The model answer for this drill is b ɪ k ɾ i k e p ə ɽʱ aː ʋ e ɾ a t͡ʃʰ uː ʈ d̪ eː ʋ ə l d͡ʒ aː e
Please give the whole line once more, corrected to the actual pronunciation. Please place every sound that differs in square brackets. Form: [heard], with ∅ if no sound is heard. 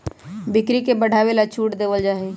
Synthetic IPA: b ɪ k ɾ i k e [b] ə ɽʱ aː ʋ e [l] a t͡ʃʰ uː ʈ d̪ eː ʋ ə l d͡ʒ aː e

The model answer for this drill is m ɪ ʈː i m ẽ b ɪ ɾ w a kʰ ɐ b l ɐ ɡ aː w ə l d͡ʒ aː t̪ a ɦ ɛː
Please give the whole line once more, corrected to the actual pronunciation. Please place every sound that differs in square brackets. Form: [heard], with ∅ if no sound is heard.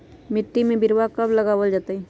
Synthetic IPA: m ɪ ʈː i m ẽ b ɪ ɾ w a [k] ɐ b l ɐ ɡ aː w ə l d͡ʒ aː t̪ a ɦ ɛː

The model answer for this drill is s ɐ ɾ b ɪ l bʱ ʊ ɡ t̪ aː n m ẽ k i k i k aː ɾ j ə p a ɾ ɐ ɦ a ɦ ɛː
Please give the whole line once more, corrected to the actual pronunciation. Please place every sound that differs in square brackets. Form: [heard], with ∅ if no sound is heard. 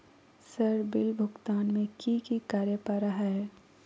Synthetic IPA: s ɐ ɾ b ɪ l bʱ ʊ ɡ t̪ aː n m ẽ k i k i k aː ɾ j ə p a ɾ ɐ ɦ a ɦ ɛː

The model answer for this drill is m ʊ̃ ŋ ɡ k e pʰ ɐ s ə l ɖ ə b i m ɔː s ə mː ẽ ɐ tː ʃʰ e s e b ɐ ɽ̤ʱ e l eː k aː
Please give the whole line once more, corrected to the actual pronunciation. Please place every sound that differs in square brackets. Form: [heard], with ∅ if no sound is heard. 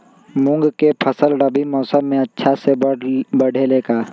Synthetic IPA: m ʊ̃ ŋ ɡ k e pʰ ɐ s ə l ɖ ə b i m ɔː s ə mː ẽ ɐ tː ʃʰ [a] s e b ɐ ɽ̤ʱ e l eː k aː

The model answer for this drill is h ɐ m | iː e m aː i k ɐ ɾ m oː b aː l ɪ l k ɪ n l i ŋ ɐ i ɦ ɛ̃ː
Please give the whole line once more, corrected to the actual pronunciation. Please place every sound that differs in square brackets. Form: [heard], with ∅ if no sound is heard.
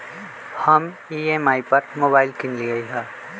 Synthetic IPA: h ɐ m | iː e m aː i [p] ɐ ɾ m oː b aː [∅] ɪ l k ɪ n l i [ɡ] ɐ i ɦ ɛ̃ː

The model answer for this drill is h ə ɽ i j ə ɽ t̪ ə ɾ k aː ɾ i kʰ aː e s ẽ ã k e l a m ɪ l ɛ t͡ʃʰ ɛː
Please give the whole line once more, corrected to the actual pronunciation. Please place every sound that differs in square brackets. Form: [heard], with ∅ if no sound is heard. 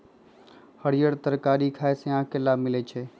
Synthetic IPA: h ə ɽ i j ə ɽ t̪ ə ɾ k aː ɾ i kʰ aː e s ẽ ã k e l a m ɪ l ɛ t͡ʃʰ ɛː

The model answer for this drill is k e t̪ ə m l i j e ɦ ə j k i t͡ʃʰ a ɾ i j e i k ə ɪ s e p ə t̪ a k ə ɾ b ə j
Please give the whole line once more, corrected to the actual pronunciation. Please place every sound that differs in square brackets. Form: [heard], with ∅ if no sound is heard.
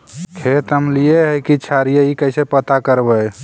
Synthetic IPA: [kʰ] e t̪ ə m l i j e ɦ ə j k i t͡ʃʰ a ɾ i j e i k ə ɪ s e p ə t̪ a k ə ɾ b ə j

